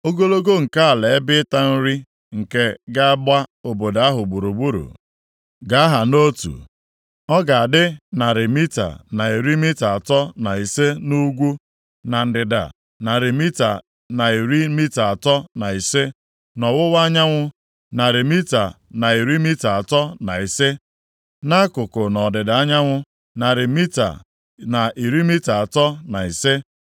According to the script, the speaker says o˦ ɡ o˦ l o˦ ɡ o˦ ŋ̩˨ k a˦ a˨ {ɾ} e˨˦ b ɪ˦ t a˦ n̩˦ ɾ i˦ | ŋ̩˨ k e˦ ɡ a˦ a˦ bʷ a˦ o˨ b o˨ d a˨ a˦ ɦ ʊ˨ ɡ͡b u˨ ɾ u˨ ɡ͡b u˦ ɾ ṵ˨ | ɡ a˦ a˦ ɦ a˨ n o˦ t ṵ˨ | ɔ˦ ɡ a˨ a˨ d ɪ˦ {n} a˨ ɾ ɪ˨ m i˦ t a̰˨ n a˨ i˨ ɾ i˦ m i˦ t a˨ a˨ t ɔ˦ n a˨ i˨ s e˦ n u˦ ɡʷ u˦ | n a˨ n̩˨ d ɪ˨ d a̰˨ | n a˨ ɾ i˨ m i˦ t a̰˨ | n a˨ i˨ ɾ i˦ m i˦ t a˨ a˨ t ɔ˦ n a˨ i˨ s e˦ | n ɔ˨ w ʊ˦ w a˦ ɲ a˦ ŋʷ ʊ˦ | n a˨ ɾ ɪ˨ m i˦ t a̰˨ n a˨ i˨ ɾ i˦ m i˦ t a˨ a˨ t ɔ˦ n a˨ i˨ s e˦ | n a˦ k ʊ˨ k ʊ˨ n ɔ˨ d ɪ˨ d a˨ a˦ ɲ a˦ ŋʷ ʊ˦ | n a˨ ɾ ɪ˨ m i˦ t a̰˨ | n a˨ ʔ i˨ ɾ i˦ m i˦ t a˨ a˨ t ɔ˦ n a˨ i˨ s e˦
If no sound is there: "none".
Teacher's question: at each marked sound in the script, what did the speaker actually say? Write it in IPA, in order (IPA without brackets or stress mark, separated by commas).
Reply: l, n